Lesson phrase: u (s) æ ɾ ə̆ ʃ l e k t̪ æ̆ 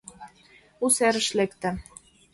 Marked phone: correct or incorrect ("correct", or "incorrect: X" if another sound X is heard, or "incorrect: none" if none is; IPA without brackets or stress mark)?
correct